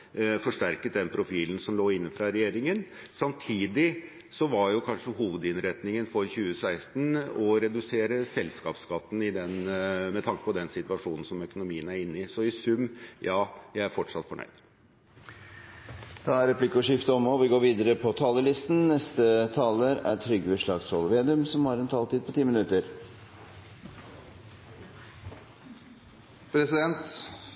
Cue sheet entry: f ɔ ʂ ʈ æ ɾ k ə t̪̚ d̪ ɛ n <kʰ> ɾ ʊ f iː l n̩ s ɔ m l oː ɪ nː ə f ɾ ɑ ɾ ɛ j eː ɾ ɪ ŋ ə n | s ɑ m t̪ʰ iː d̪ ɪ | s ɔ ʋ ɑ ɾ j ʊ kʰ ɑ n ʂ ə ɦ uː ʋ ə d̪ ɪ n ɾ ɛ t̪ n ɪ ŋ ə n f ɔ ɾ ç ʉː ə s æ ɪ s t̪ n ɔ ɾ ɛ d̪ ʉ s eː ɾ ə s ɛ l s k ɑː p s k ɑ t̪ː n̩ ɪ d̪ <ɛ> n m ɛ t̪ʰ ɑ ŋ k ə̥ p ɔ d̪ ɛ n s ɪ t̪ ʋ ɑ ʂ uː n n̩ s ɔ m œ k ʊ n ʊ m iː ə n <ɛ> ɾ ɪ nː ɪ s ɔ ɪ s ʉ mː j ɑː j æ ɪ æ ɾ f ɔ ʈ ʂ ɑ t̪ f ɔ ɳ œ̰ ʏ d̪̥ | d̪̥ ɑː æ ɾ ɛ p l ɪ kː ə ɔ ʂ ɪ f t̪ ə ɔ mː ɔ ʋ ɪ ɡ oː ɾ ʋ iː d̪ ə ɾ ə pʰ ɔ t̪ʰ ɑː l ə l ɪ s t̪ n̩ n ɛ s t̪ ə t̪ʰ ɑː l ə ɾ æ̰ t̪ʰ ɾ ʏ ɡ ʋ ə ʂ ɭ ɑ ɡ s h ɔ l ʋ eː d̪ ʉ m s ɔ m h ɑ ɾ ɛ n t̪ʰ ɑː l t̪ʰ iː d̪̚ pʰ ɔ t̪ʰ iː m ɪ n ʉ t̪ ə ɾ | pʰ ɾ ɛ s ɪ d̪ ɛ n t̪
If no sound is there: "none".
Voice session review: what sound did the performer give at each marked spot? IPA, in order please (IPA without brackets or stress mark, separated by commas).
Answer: pʰ, ɛ, æ